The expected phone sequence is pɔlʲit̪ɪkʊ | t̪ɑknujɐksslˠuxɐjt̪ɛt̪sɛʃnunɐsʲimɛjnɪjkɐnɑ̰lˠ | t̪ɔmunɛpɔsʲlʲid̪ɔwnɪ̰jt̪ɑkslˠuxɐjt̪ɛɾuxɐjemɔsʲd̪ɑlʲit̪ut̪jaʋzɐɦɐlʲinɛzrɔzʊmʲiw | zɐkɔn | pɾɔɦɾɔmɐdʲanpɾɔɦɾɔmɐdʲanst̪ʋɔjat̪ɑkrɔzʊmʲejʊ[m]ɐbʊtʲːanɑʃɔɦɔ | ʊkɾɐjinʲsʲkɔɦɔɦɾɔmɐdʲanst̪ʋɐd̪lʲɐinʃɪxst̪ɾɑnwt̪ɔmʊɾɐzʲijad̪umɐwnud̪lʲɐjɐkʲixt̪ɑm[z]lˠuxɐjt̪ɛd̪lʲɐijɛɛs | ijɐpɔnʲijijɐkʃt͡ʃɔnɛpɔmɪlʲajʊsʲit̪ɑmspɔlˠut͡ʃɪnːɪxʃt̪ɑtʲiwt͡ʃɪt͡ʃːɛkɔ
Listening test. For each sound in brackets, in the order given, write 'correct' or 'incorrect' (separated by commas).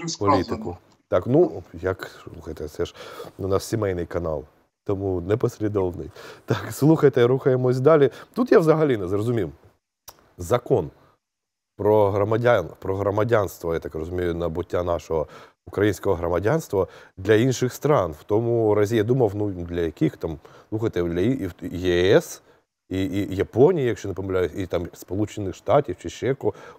incorrect, incorrect